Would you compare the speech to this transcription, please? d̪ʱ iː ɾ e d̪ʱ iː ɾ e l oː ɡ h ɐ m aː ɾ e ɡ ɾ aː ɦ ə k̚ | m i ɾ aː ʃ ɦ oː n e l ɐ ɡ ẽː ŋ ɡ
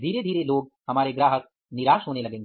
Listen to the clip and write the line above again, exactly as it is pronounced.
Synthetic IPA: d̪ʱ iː ɾ e d̪ʱ iː ɾ e l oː ɡ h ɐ m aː ɾ e ɡ ɾ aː ɦ ə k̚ | n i ɾ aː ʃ ɦ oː n e l ɐ ɡ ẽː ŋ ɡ